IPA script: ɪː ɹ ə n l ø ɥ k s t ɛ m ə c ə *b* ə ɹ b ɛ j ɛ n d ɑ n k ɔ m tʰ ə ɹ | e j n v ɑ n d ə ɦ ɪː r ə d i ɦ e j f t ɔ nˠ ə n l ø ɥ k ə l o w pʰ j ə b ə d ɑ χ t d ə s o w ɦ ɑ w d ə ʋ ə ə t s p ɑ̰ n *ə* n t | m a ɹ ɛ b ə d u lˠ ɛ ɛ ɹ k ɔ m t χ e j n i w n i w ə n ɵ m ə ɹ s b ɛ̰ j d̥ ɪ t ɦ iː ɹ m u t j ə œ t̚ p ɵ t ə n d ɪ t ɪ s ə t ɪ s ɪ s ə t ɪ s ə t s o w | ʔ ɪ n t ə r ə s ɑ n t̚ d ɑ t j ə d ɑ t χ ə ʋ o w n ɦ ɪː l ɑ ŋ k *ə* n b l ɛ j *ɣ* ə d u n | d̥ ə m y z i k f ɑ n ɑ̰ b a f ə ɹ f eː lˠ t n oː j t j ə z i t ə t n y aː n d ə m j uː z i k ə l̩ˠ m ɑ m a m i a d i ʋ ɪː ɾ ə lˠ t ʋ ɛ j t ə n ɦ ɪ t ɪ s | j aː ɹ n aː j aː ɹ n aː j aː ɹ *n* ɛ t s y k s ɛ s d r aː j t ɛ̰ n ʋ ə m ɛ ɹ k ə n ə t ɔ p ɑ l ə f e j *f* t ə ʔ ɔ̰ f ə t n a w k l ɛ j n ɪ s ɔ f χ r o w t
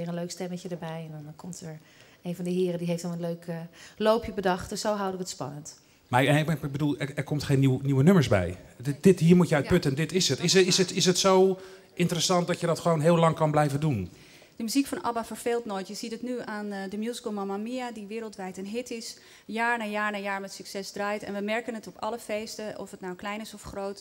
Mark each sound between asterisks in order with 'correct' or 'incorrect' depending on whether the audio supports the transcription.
incorrect: d, correct, incorrect: ɑ, incorrect: v, incorrect: m, incorrect: s

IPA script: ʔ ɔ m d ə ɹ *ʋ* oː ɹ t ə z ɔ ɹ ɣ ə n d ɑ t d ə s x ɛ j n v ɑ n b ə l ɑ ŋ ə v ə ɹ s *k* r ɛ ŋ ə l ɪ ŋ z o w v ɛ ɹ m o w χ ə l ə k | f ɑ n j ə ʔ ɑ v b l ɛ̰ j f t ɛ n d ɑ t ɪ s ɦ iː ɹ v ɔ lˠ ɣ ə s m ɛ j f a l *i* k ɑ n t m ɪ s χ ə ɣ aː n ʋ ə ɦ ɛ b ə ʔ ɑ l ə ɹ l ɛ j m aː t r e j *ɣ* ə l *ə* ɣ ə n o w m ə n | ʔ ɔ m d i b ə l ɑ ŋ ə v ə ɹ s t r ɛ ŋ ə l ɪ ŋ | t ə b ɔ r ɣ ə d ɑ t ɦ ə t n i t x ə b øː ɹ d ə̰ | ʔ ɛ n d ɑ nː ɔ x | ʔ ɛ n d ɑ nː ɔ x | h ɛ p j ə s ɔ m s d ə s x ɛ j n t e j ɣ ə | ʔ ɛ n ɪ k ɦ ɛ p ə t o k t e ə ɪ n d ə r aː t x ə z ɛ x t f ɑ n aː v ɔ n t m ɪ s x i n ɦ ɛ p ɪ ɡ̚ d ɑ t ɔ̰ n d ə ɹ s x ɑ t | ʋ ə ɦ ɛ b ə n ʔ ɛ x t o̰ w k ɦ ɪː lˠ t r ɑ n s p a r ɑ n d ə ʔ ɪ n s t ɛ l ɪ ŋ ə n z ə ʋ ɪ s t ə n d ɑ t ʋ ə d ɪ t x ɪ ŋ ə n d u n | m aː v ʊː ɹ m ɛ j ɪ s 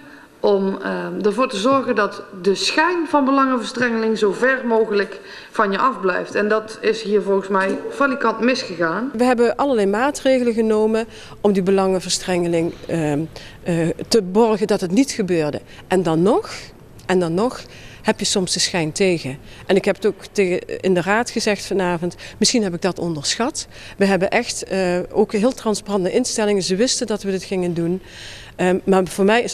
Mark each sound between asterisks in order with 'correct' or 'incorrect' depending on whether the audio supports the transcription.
incorrect: v, incorrect: t, correct, correct, correct

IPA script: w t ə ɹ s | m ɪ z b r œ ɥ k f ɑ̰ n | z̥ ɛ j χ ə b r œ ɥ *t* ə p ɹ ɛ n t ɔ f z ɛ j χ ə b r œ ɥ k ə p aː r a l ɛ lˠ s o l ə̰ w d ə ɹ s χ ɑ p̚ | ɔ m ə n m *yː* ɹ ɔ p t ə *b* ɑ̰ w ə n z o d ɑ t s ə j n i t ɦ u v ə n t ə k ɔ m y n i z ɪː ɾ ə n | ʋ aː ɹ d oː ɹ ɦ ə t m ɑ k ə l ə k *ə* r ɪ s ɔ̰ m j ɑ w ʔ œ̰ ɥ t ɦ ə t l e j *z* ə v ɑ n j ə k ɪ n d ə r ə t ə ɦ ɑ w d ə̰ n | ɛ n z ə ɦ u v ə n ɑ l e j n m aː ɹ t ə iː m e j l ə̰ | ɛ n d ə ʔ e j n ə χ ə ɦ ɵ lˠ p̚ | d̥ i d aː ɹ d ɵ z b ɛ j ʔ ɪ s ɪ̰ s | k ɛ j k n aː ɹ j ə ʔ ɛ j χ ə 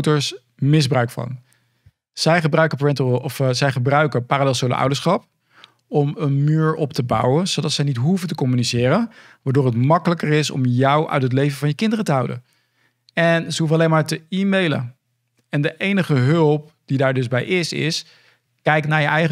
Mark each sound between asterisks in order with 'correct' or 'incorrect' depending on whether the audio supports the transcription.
incorrect: k, correct, correct, correct, incorrect: v

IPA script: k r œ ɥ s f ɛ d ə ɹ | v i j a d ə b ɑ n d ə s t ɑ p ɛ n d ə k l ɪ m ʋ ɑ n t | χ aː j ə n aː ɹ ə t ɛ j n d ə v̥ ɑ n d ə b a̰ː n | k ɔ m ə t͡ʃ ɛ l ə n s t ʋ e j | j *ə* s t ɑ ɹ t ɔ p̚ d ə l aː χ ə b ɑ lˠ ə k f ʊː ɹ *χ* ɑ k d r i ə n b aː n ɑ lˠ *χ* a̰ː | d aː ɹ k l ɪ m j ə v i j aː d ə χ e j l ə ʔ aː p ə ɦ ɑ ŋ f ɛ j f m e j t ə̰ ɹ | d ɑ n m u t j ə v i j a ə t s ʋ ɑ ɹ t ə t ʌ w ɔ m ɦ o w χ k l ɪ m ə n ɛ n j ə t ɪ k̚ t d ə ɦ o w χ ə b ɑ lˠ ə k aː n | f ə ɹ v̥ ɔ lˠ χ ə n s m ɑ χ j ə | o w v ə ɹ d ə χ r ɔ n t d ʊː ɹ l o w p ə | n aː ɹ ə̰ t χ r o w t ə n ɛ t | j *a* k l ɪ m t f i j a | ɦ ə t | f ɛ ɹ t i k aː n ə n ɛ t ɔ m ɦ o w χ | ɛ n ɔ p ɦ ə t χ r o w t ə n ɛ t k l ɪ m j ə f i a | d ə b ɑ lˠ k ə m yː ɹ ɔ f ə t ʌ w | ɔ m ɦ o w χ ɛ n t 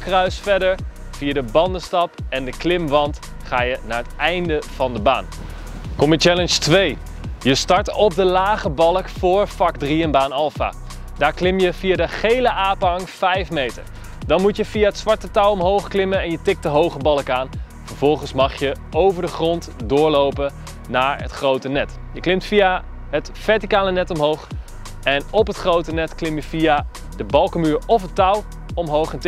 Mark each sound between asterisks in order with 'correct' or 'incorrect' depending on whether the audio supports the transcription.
correct, incorrect: f, incorrect: f, incorrect: ə

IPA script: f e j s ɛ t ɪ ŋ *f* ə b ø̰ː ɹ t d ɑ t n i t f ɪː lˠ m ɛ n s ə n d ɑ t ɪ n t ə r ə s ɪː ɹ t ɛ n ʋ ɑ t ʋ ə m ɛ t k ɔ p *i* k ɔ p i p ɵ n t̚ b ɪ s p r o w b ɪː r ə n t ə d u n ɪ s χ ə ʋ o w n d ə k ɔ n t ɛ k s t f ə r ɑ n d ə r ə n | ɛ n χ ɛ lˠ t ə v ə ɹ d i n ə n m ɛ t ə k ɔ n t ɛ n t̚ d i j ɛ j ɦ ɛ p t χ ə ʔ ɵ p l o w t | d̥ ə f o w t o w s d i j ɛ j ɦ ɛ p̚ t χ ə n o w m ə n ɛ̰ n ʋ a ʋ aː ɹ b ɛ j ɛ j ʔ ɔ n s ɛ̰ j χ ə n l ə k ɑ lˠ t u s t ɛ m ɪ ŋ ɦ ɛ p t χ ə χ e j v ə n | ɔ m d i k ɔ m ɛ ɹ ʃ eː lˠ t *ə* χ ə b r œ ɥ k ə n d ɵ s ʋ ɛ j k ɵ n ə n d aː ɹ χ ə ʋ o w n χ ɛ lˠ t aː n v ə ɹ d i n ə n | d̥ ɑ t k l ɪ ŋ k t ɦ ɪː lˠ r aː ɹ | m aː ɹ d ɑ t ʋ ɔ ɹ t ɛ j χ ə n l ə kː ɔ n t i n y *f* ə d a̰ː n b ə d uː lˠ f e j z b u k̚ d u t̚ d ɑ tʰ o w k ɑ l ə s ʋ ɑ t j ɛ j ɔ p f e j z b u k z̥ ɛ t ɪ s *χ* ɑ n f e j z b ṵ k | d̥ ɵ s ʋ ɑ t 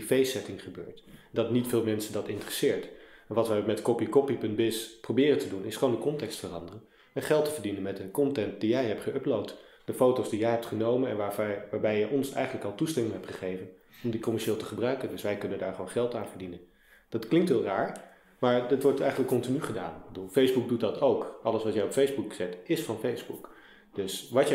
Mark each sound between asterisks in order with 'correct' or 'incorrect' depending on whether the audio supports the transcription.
incorrect: χ, correct, correct, incorrect: χ, incorrect: f

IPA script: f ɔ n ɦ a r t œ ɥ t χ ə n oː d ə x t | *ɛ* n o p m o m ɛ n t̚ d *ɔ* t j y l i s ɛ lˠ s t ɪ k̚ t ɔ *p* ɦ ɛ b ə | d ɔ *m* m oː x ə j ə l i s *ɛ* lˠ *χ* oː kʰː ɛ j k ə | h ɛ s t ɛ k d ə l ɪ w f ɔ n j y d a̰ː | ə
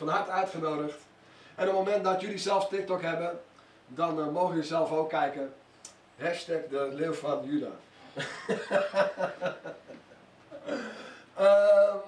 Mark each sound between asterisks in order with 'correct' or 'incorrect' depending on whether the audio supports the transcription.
correct, correct, incorrect: k, incorrect: n, correct, incorrect: f

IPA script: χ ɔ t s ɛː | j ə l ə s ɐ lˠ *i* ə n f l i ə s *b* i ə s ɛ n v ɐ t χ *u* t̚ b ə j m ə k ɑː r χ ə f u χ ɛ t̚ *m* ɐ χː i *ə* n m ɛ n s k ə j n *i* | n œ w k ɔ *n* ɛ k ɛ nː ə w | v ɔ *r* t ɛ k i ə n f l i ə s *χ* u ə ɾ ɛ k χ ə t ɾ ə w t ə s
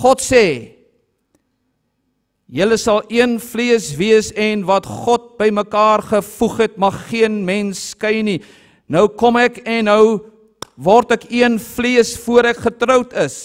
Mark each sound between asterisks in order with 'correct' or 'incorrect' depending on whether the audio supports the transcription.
correct, incorrect: v, incorrect: ɔ, correct, correct, correct, incorrect: m, correct, incorrect: f

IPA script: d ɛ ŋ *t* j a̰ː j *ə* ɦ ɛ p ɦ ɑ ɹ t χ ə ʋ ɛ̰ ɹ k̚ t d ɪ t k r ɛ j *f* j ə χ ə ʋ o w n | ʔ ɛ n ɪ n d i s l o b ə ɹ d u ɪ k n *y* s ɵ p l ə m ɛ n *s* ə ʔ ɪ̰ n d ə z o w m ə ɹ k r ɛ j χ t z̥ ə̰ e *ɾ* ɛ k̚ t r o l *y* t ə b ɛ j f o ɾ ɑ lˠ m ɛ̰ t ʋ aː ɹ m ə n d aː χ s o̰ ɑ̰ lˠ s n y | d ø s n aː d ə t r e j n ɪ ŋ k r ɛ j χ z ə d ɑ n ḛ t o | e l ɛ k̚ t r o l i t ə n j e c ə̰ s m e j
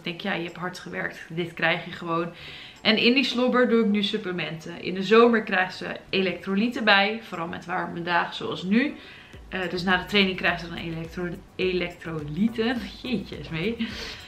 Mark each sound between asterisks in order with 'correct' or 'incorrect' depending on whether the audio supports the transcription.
incorrect: k, correct, incorrect: χ, correct, incorrect: t, incorrect: l, incorrect: i

